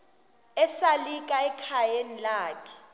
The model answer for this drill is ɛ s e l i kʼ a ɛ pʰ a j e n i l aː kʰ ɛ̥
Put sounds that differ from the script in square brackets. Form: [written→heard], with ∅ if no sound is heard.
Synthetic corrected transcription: ɛ s [e→a] l i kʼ a ɛ [pʰ→kʰ] a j e n i l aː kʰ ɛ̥